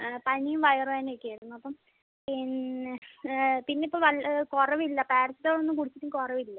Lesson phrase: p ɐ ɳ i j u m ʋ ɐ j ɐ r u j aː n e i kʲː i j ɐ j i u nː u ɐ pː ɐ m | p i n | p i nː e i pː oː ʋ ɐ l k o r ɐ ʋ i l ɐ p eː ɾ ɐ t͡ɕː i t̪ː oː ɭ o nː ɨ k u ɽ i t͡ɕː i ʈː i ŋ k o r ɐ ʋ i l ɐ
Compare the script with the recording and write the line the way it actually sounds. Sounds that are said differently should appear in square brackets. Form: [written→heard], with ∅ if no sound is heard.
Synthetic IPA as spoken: p ɐ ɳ i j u m ʋ ɐ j ɐ r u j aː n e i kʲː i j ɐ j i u nː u ɐ pː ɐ m | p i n | p i nː e i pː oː ʋ ɐ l k o r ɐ ʋ i [l→lː] ɐ p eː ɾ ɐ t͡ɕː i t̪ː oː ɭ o nː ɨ k u ɽ i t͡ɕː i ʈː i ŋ k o r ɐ ʋ i [l→lː] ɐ